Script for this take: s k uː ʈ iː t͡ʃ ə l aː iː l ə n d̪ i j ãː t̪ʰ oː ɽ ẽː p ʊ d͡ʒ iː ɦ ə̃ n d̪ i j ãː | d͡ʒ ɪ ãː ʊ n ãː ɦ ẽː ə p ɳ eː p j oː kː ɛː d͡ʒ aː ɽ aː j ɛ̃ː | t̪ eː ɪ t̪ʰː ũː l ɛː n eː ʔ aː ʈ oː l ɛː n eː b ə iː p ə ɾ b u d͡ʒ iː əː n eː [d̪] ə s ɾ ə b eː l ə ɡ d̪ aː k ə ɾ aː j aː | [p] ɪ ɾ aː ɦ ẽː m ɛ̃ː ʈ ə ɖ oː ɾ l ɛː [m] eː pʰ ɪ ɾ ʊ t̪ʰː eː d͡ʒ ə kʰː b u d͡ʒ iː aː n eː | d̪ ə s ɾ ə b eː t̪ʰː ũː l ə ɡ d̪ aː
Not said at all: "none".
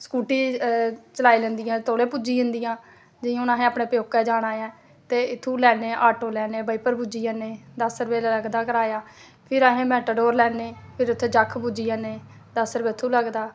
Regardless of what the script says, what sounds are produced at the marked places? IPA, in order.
d̪, pʰ, n

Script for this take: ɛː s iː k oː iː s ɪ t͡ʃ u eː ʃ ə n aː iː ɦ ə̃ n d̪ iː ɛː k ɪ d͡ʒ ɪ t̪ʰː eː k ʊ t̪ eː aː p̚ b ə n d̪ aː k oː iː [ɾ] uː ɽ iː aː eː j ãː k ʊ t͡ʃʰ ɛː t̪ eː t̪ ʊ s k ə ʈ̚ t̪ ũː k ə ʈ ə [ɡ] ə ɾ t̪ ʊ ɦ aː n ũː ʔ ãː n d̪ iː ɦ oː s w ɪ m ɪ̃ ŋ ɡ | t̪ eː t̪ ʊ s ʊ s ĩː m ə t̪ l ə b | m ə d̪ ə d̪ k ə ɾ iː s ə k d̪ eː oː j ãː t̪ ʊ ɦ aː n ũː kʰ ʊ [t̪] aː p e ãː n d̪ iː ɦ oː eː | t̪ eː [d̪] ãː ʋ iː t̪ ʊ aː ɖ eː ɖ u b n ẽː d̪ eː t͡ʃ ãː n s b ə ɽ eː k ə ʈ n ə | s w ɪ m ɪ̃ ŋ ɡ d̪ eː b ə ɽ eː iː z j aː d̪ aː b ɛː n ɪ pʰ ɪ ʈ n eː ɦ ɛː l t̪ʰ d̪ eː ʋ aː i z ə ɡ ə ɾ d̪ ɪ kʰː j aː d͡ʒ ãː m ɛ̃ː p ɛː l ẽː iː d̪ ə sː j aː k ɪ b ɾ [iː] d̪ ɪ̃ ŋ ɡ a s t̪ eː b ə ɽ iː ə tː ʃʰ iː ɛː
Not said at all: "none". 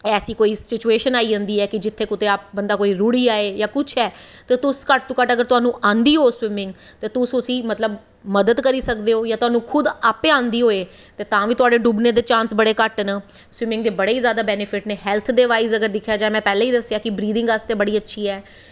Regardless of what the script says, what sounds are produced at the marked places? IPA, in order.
ɾ, ɡ, d̪, t̪, iː

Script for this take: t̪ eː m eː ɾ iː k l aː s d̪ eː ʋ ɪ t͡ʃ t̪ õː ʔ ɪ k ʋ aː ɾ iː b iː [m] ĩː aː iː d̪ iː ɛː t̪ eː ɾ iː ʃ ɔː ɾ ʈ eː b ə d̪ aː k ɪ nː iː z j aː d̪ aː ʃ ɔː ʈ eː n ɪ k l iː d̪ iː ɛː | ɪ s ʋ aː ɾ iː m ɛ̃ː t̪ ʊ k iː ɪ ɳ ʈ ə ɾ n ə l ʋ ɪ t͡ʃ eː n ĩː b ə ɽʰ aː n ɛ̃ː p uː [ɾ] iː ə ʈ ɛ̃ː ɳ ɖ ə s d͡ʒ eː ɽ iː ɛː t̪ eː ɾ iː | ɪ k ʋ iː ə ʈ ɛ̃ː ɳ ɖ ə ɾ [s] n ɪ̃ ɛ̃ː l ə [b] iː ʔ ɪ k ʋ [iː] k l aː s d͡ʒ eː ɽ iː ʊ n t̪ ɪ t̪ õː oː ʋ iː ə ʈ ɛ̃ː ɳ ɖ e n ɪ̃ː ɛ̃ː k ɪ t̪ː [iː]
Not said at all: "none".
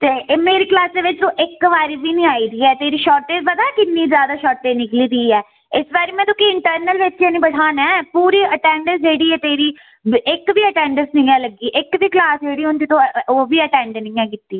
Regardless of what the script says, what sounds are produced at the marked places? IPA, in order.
n, ɾ, s, ɡ, iː, iː

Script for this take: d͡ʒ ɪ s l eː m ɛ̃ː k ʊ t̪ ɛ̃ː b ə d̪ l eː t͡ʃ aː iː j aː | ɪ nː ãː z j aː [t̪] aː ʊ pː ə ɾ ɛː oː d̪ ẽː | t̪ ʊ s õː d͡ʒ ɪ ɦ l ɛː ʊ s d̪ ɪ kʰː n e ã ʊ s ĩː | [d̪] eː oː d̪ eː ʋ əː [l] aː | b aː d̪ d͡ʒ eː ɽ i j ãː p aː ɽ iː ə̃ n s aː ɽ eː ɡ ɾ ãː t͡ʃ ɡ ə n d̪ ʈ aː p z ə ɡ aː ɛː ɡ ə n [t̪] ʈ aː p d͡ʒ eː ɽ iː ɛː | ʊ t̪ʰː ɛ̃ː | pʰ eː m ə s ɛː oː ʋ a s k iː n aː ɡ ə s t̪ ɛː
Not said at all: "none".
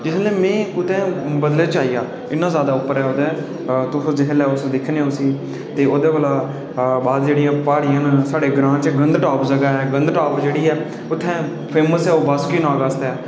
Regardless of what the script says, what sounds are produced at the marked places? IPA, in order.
d̪, t̪, l, d̪

